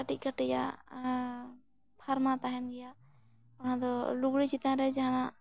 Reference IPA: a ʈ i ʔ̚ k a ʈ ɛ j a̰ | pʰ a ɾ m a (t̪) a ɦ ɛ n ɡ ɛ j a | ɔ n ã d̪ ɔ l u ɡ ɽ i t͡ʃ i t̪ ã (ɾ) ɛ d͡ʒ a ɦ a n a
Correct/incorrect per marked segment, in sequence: correct, correct

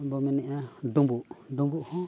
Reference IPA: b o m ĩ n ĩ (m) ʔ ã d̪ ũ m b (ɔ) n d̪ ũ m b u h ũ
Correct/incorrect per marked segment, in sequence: incorrect: none, incorrect: u

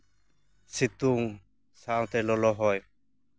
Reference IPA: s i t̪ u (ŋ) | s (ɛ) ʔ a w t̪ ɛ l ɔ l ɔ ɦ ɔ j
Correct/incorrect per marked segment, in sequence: correct, incorrect: a

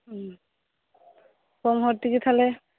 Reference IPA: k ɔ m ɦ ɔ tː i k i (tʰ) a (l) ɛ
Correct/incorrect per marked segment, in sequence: correct, correct

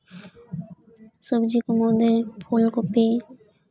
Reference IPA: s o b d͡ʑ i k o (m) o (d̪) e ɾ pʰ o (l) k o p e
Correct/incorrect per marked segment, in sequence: correct, correct, correct

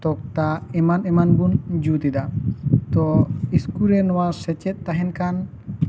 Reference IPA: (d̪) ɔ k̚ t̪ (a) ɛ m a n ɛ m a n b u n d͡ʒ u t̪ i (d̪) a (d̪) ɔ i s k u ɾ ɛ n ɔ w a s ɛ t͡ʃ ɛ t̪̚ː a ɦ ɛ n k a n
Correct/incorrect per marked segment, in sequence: incorrect: t̪, correct, correct, incorrect: t̪

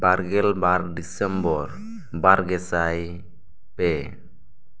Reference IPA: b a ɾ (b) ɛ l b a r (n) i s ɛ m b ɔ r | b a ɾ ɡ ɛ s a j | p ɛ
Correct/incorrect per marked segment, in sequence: incorrect: ɡ, incorrect: d

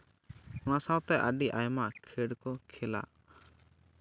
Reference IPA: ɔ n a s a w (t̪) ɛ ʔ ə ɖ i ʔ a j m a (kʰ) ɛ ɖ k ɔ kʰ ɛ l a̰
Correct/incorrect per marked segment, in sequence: correct, correct

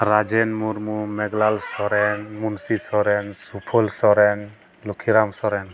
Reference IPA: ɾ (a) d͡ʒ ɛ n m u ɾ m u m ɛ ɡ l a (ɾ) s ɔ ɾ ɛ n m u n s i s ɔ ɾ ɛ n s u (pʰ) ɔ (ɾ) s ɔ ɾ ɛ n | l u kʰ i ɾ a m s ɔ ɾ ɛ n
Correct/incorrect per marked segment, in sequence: correct, incorrect: l, correct, incorrect: l

